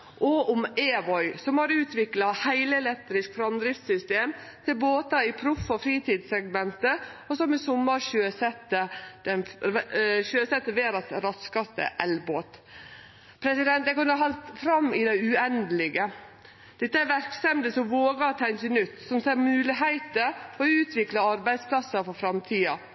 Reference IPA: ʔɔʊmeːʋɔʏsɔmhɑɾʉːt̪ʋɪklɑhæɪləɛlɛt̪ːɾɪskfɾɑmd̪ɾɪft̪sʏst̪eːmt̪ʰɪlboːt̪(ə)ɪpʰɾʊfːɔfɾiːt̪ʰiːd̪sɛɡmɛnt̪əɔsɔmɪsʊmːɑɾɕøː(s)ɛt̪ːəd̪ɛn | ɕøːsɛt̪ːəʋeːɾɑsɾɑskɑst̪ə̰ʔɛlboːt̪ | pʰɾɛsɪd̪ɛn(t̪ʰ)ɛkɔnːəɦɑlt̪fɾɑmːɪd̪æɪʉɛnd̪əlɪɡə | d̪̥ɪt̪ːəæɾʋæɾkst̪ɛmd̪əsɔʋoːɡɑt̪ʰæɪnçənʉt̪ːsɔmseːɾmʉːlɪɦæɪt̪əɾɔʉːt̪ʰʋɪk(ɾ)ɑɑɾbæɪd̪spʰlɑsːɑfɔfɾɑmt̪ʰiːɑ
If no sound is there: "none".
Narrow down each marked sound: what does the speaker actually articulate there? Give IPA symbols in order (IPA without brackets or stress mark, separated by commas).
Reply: ɑ, s, t̪, l